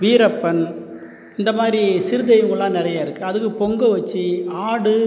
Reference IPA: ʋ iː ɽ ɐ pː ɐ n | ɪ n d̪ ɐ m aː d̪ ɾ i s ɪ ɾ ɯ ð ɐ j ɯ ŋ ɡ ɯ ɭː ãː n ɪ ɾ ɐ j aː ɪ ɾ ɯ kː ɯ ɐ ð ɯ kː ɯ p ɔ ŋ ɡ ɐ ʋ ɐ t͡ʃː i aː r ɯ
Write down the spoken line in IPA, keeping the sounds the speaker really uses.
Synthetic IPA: ʋ iː ɾ ɐ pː ɐ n | ɪ n d̪ ɐ m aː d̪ ɾ i s ɪ ɾ ɯ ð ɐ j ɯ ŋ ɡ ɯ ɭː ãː n ɪ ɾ ɐ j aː ɪ ɾ ɯ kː ɯ ɐ ð ɯ kː ɯ p ɔ ŋ ɡ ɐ ʋ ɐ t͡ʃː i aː ɽ ɯ